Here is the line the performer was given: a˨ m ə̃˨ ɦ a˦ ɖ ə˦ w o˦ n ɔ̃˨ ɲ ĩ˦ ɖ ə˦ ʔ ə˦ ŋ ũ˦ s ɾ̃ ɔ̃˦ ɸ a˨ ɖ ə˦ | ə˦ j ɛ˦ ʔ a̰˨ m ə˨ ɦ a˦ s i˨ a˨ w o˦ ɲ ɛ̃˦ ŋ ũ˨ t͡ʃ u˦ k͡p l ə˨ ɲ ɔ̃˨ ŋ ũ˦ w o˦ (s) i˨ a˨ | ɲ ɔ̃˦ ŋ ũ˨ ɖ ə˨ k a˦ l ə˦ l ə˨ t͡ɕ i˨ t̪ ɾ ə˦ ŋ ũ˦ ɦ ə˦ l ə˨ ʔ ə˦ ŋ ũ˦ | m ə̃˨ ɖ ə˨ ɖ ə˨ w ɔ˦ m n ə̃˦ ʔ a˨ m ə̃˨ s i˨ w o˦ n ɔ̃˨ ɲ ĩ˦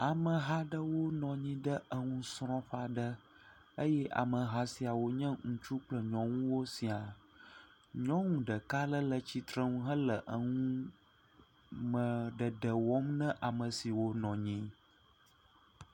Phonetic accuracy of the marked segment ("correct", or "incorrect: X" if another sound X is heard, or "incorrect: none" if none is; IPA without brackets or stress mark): correct